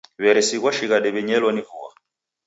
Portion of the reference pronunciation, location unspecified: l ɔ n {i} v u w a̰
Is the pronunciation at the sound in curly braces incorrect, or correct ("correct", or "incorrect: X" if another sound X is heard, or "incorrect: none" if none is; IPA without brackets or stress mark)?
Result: correct